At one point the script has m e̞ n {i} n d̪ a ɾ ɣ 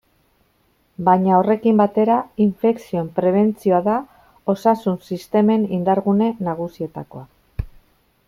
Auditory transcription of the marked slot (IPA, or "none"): i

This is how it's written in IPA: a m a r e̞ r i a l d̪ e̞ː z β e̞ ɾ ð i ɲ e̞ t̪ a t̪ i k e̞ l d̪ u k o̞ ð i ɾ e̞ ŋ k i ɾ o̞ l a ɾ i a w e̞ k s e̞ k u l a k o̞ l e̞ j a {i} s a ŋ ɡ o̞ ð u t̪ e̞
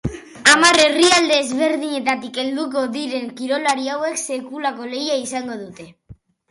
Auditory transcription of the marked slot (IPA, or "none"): i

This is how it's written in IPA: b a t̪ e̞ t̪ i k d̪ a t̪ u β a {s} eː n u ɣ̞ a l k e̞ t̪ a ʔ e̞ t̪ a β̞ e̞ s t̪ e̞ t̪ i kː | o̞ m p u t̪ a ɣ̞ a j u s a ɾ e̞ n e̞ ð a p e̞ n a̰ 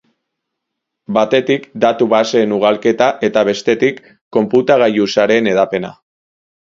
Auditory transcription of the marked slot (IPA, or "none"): s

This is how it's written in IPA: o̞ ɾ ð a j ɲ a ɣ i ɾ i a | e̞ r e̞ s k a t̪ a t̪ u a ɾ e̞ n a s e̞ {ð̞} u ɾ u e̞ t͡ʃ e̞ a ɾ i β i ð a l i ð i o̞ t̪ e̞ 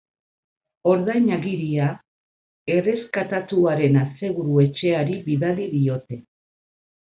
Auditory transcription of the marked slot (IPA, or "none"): ɣ̞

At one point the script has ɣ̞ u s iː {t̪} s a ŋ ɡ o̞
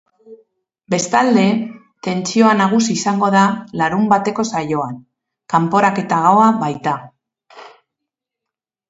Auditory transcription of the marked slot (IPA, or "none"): none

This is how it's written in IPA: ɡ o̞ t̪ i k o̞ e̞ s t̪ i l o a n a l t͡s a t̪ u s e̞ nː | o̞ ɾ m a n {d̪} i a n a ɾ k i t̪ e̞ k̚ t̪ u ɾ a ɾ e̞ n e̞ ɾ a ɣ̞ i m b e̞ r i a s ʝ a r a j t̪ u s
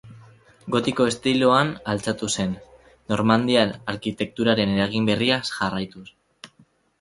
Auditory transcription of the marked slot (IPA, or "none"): d̪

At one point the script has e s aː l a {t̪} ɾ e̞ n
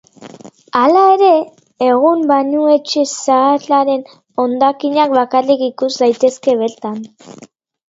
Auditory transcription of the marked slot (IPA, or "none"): none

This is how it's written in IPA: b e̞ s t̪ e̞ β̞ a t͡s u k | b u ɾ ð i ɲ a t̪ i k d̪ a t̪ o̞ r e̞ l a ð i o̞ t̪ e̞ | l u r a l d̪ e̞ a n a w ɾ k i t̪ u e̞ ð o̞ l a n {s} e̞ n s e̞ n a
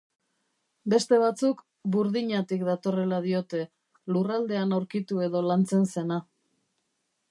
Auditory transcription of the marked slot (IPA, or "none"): t͡s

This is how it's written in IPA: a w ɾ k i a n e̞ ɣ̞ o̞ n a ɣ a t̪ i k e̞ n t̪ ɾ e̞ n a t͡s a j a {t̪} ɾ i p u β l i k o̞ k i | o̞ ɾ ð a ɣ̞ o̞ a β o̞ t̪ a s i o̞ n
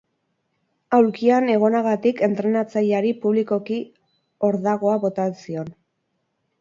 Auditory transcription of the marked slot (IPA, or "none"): none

